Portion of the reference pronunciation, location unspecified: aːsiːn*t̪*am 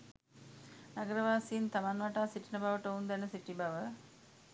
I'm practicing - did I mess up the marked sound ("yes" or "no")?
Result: no